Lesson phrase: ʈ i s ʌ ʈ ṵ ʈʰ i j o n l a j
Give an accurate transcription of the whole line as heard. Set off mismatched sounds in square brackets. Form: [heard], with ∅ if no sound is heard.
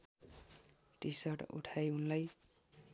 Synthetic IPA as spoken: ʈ i s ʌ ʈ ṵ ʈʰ [a] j [u] n l a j